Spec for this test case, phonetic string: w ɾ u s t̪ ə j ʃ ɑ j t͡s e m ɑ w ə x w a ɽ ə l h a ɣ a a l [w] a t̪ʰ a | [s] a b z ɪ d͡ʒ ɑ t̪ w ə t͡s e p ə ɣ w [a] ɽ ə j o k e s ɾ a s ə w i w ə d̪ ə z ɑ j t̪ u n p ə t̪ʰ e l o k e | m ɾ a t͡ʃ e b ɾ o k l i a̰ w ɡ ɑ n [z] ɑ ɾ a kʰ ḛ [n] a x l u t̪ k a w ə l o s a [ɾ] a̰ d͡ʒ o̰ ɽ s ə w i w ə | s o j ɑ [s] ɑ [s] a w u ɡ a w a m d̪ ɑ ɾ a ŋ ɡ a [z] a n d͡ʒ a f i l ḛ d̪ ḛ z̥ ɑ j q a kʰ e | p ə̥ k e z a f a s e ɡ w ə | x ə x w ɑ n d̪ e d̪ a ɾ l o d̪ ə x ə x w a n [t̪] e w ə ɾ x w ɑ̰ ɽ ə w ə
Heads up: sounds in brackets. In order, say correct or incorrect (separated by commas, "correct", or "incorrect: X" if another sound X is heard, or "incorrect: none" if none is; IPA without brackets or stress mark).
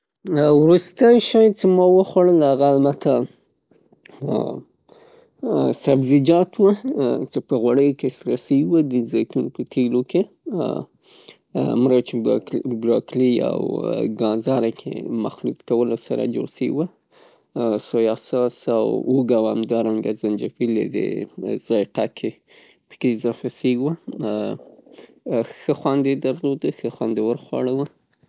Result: incorrect: b, correct, correct, correct, incorrect: m, correct, correct, correct, correct, incorrect: d̪